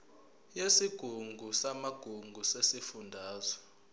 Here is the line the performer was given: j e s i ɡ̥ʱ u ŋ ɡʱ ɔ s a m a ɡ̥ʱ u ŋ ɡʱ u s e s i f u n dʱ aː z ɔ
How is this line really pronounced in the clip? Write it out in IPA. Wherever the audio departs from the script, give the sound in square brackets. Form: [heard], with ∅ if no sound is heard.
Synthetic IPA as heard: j e s i ɡ̥ʱ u ŋ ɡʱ [u] s a m a ɡ̥ʱ u ŋ ɡʱ u s e s i f u n dʱ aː z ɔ